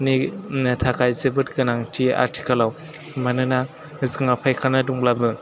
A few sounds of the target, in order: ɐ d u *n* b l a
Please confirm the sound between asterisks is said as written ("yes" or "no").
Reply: no